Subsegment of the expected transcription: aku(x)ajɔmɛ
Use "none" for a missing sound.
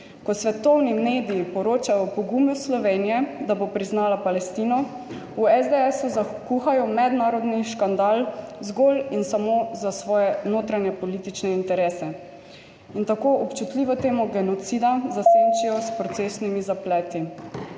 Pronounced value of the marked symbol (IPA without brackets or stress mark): x